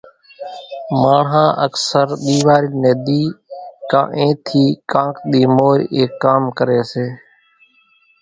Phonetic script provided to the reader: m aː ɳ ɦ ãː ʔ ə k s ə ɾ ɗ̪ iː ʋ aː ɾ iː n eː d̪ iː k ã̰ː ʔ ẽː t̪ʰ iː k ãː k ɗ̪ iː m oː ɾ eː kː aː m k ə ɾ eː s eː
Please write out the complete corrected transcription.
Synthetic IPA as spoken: m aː ɳ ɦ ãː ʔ ə k s ə ɾ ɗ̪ iː ʋ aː ɾ iː n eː d̪ iː k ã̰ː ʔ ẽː t̪ʰ iː k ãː k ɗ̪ iː m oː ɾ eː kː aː m k ə ɾ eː s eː